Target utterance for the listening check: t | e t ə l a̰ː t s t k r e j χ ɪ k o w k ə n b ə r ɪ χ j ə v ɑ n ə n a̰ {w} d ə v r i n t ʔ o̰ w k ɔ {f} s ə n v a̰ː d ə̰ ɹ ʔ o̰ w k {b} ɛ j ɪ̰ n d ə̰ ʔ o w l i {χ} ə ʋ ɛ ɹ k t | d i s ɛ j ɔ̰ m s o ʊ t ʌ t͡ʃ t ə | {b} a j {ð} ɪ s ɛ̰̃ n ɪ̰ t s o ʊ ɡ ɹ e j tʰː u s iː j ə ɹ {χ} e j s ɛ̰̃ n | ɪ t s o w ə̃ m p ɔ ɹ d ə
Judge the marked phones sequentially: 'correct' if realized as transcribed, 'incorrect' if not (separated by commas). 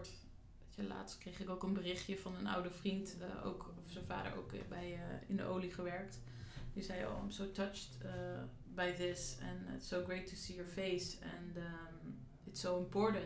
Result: correct, correct, correct, correct, correct, correct, incorrect